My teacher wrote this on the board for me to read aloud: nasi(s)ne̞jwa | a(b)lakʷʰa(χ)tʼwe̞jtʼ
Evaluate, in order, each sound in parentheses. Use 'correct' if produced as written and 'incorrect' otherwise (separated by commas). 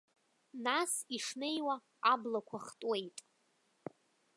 incorrect, correct, correct